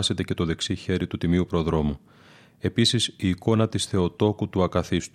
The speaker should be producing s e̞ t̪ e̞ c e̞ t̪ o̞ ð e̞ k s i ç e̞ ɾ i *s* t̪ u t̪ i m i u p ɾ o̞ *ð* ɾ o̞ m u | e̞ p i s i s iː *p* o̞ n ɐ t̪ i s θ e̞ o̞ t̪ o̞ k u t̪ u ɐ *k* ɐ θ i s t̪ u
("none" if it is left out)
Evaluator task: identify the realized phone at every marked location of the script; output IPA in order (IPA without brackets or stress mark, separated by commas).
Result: none, ð, k, k